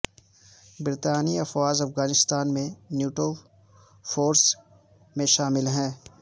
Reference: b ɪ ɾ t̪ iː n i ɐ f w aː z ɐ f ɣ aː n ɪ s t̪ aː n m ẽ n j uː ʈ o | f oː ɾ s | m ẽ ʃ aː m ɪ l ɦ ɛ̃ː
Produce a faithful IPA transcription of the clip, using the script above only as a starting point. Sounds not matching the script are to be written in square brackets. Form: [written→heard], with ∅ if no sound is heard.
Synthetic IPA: b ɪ ɾ t̪ [iː→aː] n i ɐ f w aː z ɐ f ɣ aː n ɪ s t̪ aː n m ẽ n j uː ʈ o | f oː ɾ s | m ẽ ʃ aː m ɪ l ɦ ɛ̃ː